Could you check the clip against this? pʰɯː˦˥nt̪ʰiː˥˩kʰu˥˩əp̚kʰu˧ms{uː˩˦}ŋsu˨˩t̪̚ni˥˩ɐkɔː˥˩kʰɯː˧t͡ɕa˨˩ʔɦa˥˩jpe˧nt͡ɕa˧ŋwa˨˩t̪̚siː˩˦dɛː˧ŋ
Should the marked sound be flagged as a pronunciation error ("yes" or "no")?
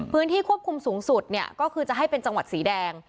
no